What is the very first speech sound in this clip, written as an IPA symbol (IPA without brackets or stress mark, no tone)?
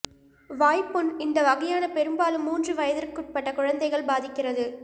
ʋ